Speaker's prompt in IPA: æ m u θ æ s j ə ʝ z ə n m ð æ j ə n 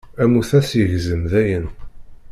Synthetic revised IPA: æ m u θ æ s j ə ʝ z ə m ð æ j ə n